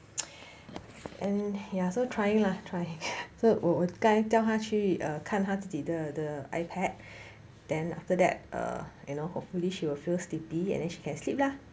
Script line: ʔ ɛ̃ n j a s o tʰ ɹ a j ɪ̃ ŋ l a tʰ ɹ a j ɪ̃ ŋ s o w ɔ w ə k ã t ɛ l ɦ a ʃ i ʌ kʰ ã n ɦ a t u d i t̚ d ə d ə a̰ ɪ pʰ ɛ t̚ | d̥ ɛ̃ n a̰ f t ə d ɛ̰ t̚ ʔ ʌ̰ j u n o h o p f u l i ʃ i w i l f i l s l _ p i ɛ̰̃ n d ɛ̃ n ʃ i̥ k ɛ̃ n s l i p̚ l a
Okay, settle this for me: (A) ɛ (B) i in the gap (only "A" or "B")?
B